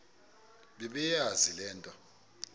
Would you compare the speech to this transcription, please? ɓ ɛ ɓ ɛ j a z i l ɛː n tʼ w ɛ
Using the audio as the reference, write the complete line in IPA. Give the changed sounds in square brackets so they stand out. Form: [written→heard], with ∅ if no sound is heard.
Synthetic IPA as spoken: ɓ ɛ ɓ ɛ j a z i l ɛː n tʼ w [ɛ→a]

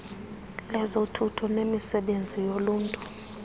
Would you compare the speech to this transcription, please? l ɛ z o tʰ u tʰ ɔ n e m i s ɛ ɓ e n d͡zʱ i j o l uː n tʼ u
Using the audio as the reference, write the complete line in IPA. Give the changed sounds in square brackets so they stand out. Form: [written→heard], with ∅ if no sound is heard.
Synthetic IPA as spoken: l ɛ z o tʰ u tʰ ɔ n e m i s ɛ ɓ e n d͡zʱ i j o l uː n tʼ u

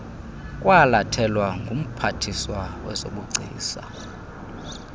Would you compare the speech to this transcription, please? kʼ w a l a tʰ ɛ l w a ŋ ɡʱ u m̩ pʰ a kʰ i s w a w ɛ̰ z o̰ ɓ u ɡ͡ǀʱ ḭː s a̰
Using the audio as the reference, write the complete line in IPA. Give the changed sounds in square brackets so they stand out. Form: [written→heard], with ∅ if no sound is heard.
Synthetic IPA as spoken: kʼ w a l a tʰ ɛ l w a ŋ ɡʱ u m̩ pʰ a [kʰ→tʰ] i s w a w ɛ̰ z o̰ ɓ u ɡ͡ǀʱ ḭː s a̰

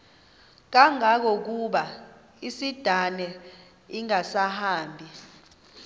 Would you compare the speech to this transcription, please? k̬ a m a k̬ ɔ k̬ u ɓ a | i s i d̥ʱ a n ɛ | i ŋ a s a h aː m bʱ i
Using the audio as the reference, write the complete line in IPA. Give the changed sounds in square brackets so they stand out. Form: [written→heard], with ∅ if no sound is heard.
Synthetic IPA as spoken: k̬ a [m→ŋ] a k̬ ɔ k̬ u ɓ a | i s i d̥ʱ a n ɛ | i ŋ a s a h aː m bʱ i

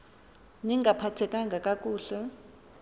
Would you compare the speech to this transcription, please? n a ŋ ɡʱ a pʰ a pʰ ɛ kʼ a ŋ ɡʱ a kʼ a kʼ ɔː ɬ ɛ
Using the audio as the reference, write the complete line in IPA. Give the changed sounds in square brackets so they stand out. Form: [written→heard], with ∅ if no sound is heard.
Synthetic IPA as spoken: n [a→i] ŋ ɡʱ a pʰ a [pʰ→tʰ] ɛ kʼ a ŋ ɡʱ a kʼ a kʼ [ɔː→uː] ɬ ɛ

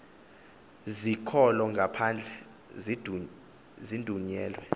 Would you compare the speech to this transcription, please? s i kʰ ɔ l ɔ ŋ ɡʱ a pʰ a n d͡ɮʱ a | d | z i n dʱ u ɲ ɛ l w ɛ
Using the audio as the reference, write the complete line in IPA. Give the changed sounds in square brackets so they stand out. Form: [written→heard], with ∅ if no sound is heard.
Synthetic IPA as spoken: [s→z] i kʰ ɔ l ɔ ŋ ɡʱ a pʰ a n d͡ɮʱ [a→ɛ] | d | z i n dʱ u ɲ [ɛ→ɛː] l w ɛ

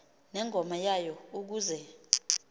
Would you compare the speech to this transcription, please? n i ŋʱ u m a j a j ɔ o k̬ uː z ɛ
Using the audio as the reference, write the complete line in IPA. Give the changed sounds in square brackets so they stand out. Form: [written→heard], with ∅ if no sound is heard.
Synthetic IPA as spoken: n [i→ɛ] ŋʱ [u→ɔ] m a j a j ɔ [o→u] k̬ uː z ɛ

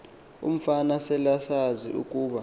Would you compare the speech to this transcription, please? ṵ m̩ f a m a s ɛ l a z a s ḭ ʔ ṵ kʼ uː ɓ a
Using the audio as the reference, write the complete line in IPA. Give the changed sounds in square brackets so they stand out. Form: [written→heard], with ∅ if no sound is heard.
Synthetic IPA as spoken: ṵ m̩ f a [m→n] a s ɛ l a [z→s] a [s→z] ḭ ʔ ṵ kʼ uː ɓ a

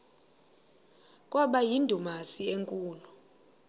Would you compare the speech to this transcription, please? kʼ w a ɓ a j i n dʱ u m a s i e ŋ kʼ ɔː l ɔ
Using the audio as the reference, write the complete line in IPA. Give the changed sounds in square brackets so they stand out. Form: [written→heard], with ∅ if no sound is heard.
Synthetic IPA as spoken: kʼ w a ɓ a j i n dʱ u m a s i e ŋ kʼ [ɔː→uː] l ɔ

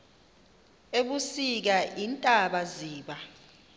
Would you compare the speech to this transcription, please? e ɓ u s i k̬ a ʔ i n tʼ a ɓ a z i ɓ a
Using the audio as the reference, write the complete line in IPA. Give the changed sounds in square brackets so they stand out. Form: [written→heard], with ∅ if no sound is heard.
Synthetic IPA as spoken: e ɓ u s i k̬ a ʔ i n tʼ a ɓ a z [i→iː] ɓ a

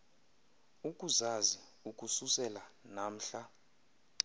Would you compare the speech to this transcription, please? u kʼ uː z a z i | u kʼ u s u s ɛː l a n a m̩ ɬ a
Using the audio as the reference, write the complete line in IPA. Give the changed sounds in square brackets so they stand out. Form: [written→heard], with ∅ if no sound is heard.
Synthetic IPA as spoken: u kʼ [uː→u] z a z i | u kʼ u s u s [ɛː→ɛ] l a n a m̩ ɬ a

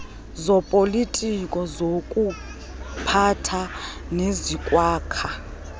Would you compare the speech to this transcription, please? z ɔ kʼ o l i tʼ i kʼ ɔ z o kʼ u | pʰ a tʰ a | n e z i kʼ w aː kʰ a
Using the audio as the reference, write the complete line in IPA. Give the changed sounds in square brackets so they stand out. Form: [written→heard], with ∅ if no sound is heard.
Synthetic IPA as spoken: z ɔ [kʼ→pʼ] o l i tʼ i kʼ ɔ z o kʼ u | pʰ a tʰ a | n e z i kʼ w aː kʰ a

